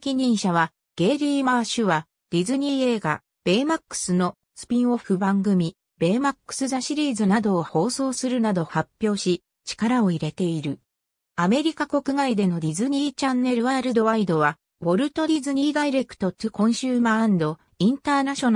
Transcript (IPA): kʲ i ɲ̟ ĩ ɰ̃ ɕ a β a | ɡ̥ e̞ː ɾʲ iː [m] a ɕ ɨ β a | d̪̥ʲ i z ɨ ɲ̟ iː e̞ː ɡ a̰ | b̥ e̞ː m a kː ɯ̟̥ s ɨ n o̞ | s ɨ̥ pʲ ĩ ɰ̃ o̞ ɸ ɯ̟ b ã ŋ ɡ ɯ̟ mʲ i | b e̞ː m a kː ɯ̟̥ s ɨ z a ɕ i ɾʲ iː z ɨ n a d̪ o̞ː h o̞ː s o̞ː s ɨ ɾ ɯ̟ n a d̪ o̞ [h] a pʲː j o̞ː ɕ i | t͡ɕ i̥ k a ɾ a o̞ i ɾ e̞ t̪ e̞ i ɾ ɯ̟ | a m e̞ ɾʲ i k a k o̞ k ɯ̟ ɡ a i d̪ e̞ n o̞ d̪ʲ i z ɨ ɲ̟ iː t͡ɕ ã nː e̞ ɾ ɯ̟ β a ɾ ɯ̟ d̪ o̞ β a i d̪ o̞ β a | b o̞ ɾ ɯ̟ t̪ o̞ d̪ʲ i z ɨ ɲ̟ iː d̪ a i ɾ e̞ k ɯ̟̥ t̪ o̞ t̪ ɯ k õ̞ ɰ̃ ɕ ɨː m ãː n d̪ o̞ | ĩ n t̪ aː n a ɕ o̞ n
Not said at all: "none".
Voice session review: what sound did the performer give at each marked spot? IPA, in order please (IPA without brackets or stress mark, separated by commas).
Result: m, h